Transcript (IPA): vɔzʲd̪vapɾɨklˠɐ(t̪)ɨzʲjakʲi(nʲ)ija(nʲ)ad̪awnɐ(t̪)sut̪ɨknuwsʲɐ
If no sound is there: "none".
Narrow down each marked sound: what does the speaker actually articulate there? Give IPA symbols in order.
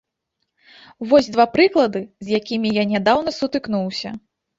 d̪, mʲ, nʲ, none

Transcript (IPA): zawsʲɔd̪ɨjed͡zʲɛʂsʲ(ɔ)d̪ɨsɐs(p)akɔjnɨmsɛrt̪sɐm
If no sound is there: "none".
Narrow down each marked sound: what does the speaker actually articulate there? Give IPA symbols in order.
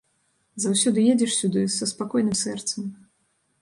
u, p

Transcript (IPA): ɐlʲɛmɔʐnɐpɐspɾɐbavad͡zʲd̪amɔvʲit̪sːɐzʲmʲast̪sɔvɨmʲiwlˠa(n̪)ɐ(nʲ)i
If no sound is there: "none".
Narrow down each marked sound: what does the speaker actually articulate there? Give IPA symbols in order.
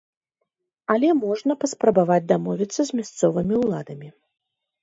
d̪, mʲ

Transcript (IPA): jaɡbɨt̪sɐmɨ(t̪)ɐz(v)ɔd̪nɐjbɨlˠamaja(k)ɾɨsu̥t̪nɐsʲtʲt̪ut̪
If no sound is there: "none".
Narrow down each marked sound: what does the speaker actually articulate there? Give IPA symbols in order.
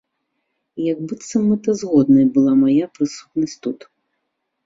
t̪, ɣ, p

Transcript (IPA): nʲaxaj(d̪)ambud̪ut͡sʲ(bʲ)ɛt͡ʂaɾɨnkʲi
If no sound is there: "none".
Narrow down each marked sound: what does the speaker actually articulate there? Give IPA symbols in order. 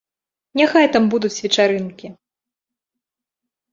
t̪, vʲ

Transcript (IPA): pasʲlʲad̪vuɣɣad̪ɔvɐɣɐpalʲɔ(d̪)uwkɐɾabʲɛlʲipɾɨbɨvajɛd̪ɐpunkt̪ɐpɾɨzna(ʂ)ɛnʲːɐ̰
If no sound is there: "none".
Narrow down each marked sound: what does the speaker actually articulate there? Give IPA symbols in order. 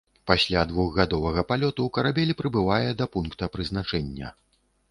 t̪, t͡ʂ

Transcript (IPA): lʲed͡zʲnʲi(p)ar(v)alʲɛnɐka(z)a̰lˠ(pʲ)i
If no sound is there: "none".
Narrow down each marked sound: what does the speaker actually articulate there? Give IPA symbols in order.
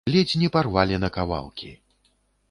p, v, v, kʲ

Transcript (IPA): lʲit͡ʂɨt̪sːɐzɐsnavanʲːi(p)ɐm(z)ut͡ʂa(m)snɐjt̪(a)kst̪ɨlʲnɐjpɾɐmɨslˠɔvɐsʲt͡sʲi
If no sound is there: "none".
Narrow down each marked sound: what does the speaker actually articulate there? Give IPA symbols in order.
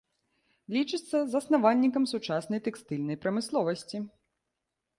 k, s, none, ɛ

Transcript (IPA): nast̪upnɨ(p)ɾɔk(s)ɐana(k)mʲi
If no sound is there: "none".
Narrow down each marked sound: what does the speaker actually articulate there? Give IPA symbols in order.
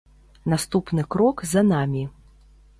k, z, none

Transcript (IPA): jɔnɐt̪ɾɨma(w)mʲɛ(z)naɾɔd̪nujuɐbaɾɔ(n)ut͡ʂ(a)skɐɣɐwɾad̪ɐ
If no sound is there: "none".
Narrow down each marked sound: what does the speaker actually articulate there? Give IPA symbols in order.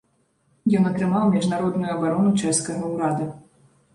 w, ʐ, n, ɛ

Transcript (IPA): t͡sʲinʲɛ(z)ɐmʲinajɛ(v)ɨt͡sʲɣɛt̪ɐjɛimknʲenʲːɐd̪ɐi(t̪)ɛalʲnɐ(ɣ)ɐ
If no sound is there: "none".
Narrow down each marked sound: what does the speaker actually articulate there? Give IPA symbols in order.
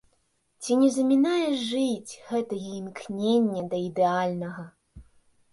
z, ʐ, d̪, ɣ

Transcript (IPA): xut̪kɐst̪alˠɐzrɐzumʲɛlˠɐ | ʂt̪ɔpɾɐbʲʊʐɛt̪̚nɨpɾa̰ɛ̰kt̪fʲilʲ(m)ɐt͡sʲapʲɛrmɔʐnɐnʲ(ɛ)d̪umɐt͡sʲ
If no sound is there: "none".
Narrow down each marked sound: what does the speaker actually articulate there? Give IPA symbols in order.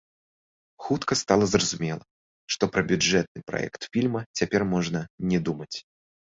m, ɛ

